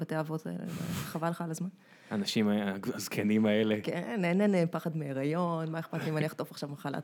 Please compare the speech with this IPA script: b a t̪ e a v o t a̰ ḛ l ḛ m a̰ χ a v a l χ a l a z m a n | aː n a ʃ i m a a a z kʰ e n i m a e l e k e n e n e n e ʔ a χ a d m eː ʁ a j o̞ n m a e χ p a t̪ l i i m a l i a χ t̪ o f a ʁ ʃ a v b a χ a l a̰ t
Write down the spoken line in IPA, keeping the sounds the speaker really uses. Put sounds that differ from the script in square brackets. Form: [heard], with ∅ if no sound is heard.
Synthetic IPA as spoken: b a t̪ e a v o t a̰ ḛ l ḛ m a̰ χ a v a l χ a l a z m a n | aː n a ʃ i m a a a z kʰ e n i m a e l e k e n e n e n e [p] a χ a d m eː ʁ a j o̞ n m a e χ p a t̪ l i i m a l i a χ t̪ o f a [χ] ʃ a v [m] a χ a l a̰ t